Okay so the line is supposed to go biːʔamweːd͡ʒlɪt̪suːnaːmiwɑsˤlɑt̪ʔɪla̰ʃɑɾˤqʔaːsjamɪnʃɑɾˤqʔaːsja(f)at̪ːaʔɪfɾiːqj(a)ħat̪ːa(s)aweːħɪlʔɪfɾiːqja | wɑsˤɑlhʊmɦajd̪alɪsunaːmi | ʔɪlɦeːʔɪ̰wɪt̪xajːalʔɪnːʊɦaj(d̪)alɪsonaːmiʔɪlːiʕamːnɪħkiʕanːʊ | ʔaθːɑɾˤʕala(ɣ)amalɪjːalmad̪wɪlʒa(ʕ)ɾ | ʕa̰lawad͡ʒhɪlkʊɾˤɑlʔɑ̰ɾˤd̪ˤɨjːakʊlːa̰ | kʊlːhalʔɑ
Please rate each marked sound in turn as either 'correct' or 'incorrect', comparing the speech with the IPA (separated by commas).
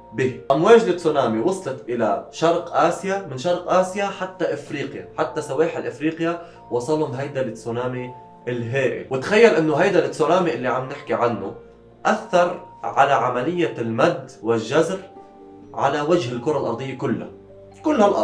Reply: incorrect, correct, correct, correct, incorrect, incorrect